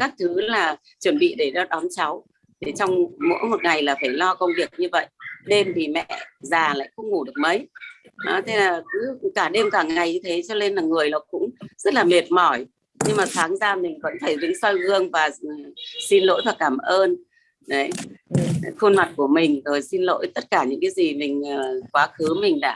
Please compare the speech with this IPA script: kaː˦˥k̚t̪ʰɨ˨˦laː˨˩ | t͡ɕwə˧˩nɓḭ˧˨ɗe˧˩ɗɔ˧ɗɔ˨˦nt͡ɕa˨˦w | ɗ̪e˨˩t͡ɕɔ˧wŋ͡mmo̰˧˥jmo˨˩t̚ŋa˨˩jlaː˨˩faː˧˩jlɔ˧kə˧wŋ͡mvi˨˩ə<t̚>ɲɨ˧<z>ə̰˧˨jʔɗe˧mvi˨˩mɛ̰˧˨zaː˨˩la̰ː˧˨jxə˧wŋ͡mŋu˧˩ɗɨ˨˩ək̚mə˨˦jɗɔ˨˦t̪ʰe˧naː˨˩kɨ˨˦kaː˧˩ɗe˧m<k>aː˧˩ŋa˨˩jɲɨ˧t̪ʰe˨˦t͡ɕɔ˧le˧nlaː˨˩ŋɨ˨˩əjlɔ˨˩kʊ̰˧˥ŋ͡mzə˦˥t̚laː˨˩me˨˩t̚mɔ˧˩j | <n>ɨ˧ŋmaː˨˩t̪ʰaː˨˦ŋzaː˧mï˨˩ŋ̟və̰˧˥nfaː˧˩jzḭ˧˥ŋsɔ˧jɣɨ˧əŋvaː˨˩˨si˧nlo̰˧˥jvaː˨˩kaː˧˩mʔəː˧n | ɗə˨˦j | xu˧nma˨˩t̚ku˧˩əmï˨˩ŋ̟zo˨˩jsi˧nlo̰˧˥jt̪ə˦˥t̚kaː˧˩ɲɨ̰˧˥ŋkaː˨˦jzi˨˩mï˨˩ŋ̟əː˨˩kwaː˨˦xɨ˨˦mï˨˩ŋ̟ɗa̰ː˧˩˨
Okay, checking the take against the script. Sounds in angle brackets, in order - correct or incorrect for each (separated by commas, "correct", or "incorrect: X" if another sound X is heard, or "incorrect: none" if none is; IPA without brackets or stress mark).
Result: incorrect: k̚, incorrect: v, correct, incorrect: ɲ